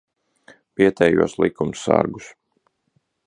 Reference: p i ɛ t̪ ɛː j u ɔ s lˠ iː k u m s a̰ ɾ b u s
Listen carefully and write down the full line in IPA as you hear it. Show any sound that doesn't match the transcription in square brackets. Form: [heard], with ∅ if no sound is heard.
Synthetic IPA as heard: p i ɛ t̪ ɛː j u ɔ s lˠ [i] k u m s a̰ ɾ [ɡ] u s